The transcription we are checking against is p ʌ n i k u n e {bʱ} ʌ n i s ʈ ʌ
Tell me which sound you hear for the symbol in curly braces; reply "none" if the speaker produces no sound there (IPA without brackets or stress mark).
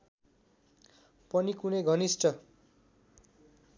ɡʱ